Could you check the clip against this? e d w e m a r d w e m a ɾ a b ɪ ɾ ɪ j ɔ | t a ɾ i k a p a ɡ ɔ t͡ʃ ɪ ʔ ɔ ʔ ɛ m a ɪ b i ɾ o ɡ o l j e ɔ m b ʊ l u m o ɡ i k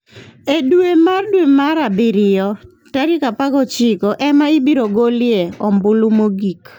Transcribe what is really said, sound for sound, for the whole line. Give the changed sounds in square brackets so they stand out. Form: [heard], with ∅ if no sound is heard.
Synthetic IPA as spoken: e d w e m a r d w e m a ɾ a b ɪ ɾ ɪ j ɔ | t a ɾ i k a p a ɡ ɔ t͡ʃ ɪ [k] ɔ ʔ ɛ m a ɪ b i ɾ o ɡ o l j e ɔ m b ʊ l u m o ɡ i k